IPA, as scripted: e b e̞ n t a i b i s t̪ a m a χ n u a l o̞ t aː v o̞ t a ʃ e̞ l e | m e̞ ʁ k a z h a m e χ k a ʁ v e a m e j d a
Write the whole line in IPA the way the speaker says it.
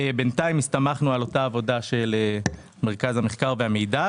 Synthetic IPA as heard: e b e̞ n t a i m i s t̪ a m a χ n u a l o̞ t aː v o̞ d a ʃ e̞ l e | m e̞ ʁ k a z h a m e χ k a ʁ v e a m e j d a